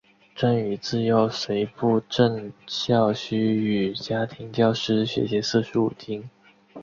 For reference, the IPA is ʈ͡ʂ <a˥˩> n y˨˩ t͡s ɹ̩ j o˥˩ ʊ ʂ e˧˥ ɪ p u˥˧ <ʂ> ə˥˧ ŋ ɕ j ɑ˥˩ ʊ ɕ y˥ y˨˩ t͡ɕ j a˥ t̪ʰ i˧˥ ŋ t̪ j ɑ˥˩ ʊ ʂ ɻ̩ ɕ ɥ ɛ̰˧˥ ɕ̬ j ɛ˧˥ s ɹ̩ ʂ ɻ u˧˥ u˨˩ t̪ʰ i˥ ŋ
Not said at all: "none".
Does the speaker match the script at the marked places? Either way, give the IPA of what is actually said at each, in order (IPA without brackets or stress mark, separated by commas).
a˥, ʈ͡ʂ